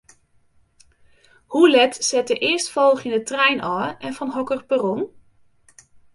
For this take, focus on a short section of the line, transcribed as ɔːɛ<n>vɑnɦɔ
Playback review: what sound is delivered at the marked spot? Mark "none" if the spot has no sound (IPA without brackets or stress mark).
n